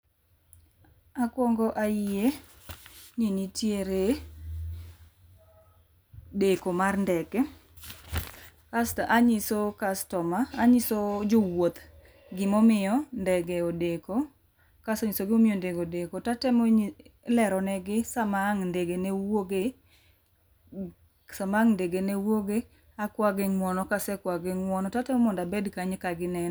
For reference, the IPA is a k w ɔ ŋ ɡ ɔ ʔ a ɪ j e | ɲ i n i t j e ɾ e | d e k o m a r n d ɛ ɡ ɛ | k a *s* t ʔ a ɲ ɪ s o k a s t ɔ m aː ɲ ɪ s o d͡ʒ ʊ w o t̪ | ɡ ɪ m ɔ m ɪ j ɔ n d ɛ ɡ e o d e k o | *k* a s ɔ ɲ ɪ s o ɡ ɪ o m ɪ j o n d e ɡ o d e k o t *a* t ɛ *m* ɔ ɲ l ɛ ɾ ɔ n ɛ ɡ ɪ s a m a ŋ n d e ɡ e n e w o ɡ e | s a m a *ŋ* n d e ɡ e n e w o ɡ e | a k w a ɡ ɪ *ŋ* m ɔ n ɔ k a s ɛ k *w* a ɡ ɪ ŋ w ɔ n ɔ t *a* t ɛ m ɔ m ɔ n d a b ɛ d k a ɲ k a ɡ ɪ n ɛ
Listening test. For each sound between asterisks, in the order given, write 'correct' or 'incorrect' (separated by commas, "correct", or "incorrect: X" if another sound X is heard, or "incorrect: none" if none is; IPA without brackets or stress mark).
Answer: correct, correct, correct, correct, correct, correct, correct, correct